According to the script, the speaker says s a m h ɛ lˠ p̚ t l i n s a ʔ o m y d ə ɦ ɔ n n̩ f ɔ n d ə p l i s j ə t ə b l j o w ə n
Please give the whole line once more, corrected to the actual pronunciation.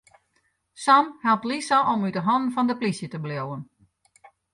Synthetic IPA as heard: s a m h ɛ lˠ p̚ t l i s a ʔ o m y d ə ɦ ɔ n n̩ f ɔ n d ə p l i s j ə t ə b l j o w ə n